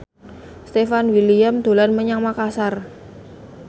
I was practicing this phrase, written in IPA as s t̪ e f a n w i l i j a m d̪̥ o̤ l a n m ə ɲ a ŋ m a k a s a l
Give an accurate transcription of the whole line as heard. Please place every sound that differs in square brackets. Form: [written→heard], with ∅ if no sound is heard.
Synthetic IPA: s t̪ e f a n w i l i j a m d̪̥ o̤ l a n m ə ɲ a ŋ m a k a s a [l→r]

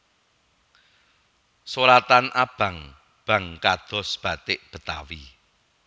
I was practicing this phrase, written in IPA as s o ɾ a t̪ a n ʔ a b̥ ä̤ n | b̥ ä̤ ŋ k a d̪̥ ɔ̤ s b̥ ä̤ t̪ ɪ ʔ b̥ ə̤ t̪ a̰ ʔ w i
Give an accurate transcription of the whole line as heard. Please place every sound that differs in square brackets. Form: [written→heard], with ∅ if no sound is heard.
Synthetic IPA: s o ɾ a t̪ a n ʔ a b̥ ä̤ [n→ŋ] | b̥ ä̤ ŋ k a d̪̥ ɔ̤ s b̥ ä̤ t̪ ɪ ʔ b̥ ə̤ t̪ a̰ [ʔ→∅] w i

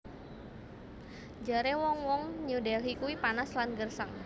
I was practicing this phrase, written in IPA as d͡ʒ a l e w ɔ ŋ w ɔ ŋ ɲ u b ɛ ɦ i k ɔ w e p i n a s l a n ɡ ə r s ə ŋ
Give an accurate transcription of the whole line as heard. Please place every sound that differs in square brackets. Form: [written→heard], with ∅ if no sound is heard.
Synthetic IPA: d͡ʒ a [l→ɾ] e w ɔ ŋ w ɔ ŋ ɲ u [b→d] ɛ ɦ i k [ɔ→u] w [e→i] p [i→a] n a s l a n ɡ ə r s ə ŋ

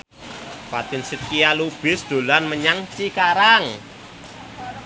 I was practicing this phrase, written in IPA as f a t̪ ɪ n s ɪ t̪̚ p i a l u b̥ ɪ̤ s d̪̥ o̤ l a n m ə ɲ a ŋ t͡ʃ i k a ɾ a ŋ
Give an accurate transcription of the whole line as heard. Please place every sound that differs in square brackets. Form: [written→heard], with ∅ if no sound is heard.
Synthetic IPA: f a t̪ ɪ n s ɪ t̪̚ [p→k] i a l u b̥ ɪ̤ s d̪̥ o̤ l a n m ə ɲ a ŋ t͡ʃ i k a ɾ a ŋ

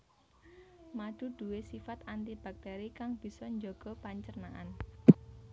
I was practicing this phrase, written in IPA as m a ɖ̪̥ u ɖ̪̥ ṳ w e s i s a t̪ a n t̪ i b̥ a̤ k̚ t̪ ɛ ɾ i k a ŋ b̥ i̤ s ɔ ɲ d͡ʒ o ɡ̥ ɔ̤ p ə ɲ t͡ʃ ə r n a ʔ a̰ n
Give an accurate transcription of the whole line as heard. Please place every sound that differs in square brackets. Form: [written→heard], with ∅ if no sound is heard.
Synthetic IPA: m a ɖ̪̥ u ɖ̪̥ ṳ w e s i [s→f] a t̪ a n t̪ i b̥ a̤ k̚ t̪ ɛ ɾ i k a ŋ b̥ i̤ s ɔ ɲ d͡ʒ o ɡ̥ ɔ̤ p [ə→a] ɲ t͡ʃ ə r n a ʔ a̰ n

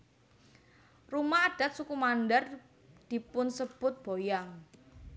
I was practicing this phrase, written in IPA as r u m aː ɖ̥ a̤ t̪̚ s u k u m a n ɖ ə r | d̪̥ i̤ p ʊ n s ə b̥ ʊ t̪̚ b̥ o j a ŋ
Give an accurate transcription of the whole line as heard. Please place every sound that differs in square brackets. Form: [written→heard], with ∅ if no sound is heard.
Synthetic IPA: r u m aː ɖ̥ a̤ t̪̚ s u k u m a n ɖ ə r | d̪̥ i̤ p ʊ n s ə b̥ ʊ t̪̚ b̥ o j a ŋ

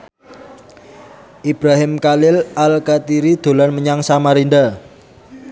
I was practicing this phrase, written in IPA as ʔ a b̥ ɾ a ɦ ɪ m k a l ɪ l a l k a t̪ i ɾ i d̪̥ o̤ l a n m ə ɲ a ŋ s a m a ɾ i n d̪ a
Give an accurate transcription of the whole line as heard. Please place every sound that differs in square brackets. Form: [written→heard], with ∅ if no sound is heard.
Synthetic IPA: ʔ [a→i] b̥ ɾ a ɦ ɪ m k a l ɪ l a l k a t̪ i ɾ i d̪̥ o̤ l a n m ə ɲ a ŋ s a m a ɾ i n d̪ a

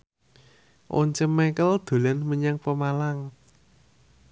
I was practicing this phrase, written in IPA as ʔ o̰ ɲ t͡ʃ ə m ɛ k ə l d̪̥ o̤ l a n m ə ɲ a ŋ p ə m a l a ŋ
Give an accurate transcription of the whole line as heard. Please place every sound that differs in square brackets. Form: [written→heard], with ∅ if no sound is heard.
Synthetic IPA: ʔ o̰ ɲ t͡ʃ ə m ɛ k ə l d̪̥ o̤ l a n m ə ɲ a ŋ p ə m a l a ŋ

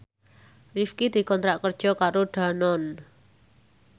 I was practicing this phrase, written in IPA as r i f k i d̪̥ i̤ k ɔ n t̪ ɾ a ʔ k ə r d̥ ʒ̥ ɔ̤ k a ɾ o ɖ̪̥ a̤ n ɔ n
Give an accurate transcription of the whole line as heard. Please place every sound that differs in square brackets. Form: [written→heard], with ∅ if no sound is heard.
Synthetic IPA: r i f k i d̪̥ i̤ k ɔ n t̪ ɾ a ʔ k ə r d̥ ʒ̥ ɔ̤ k a ɾ o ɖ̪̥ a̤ n ɔ n

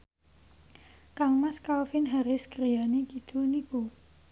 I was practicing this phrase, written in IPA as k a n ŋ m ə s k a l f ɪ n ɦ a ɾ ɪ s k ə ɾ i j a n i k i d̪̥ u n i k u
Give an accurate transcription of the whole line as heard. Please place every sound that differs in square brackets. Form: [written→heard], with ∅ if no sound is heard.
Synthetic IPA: k a [n→∅] ŋ m [ə→a] s k a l f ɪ n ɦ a ɾ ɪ s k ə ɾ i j a n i k i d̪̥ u n i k u

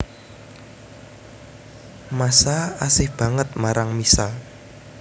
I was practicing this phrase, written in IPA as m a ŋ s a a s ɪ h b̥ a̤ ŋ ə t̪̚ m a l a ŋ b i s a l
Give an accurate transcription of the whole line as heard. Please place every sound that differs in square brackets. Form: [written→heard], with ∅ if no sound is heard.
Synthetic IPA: m a [ŋ→∅] s a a s ɪ h b̥ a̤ ŋ ə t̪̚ m a [l→ɾ] a ŋ [b→m] i s a l

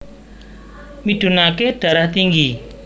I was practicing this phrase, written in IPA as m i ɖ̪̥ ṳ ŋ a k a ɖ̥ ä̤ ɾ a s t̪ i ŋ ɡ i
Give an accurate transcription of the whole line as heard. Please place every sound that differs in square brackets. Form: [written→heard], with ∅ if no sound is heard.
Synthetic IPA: m i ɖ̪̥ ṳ [ŋ→n] a k [a→e] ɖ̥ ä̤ ɾ a [s→h] t̪ i ŋ ɡ i

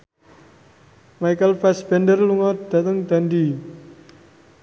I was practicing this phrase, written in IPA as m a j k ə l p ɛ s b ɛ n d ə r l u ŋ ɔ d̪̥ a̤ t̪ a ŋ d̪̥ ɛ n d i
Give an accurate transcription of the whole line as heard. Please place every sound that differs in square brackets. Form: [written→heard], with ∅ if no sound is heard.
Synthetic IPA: m a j k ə l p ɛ s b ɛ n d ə r l u ŋ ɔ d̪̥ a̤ t̪ [a→ə] ŋ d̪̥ [ɛ→a] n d i

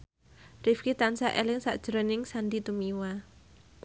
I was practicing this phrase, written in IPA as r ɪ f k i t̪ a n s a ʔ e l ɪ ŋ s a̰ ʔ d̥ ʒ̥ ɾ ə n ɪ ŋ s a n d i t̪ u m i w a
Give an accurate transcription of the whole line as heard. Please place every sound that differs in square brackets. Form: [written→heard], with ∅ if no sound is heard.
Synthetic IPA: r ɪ f k i t̪ a n s a ʔ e l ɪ ŋ s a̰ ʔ d̥ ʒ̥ ɾ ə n ɪ ŋ s a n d i t̪ u m i w a

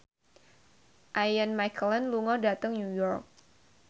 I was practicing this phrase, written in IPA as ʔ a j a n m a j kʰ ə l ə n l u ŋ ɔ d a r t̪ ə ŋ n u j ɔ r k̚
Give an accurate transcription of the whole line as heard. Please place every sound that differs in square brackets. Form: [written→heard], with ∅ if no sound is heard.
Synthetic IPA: ʔ a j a n m a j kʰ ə l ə n l u ŋ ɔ d a [r→∅] t̪ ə ŋ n u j ɔ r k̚

